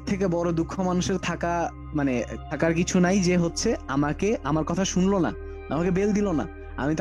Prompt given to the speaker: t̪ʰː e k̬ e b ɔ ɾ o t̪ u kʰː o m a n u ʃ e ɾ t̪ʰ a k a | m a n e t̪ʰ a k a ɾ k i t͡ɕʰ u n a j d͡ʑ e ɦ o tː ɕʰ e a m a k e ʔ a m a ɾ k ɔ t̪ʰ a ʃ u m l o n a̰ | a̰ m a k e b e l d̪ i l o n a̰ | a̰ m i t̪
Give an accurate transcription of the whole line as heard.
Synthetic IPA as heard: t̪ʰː e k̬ e b ɔ ɾ o d̪ u kʰː o m a n u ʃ e ɾ t̪ʰ a k a | m a n e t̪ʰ a k a ɾ k i t͡ɕʰ u n a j d͡ʑ e ɦ o tː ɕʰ e a m a k e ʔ a m a ɾ k ɔ t̪ʰ a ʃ u n l o n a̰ | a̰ m a k e b e l d̪ i l o n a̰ | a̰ m i t̪